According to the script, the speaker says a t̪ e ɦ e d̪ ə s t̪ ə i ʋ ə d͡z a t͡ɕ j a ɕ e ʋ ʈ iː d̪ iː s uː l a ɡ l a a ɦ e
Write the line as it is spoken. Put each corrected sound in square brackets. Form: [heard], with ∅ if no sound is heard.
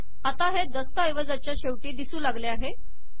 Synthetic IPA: a t̪ [a] ɦ e d̪ ə s t̪ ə [j] ʋ ə d͡z a t͡ɕ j a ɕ e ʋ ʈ iː d̪ [i] s uː l a ɡ l [e] a ɦ e